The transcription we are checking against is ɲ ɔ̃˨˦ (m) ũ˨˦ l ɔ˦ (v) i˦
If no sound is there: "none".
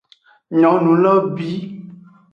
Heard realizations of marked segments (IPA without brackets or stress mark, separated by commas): n, b